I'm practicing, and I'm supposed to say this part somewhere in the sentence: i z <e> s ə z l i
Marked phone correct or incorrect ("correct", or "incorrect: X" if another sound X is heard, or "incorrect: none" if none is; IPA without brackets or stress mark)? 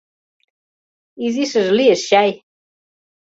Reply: incorrect: i